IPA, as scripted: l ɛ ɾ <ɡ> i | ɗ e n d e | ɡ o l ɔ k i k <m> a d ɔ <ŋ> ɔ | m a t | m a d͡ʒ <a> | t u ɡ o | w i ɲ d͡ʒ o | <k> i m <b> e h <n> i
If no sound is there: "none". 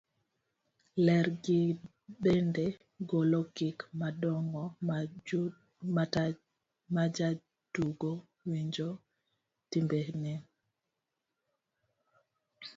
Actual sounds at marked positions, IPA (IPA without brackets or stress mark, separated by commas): ɡ, m, ŋ, a, t, b, n